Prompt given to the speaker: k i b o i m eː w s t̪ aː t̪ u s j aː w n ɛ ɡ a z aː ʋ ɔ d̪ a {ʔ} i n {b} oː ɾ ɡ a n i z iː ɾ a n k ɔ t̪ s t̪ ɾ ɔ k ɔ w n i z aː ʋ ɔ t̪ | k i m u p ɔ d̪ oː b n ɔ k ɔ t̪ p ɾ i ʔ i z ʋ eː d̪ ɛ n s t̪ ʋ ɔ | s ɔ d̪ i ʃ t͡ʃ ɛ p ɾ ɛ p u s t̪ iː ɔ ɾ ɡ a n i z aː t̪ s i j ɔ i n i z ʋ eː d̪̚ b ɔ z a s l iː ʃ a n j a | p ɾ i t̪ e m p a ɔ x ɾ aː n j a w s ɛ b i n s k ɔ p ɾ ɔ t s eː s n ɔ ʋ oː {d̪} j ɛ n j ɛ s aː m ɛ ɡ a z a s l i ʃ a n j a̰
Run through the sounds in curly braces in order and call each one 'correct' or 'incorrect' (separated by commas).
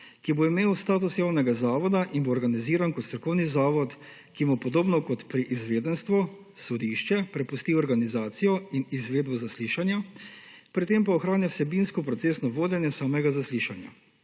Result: correct, correct, correct